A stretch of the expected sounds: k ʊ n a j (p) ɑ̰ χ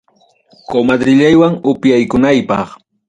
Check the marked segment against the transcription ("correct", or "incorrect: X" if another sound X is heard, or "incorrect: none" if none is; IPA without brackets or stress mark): correct